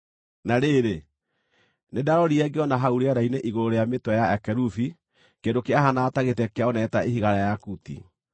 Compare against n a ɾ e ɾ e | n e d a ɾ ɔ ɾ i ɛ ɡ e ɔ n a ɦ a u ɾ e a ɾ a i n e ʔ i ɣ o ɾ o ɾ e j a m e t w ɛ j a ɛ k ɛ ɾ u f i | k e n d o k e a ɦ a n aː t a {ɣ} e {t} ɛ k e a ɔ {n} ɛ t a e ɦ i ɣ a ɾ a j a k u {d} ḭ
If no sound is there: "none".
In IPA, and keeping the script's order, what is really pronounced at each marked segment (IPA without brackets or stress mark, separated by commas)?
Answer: ɣ, t, n, t